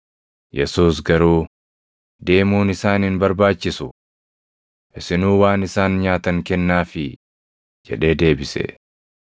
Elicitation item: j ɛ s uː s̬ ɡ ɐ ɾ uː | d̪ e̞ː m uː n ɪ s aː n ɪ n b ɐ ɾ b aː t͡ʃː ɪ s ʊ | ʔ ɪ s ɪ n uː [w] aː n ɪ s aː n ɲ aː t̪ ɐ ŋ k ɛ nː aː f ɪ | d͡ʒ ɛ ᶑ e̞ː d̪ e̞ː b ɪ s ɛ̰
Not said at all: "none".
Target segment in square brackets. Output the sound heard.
w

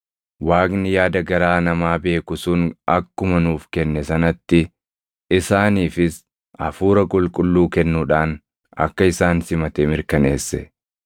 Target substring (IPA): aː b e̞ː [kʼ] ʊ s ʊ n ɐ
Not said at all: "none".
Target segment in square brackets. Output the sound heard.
k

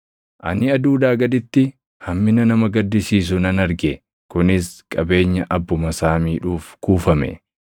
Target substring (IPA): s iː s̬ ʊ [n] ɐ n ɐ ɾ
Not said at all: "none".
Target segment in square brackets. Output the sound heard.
n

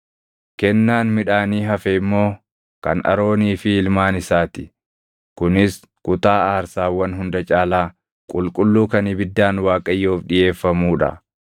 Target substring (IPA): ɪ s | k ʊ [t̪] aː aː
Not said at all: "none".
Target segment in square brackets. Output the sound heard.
t̪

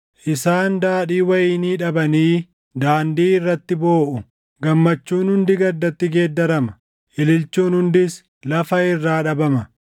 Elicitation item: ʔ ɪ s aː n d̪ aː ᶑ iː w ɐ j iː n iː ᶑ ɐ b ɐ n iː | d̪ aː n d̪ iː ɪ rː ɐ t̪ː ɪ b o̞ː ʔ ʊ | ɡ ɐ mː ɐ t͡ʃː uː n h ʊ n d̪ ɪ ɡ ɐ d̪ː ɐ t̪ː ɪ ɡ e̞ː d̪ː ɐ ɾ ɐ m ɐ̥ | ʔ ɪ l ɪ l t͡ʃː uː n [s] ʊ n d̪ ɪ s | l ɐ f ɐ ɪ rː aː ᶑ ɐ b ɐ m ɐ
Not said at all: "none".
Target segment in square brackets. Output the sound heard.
h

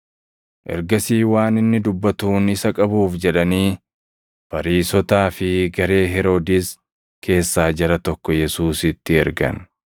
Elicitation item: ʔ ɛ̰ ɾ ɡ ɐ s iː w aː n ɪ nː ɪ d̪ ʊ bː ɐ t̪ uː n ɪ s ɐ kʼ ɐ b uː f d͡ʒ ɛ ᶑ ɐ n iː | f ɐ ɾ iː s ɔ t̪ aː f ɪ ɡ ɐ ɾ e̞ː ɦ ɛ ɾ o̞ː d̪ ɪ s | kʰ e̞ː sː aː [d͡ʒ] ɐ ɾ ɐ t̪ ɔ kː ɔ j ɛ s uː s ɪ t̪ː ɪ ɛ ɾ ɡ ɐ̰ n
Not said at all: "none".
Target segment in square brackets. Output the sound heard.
d͡ʒ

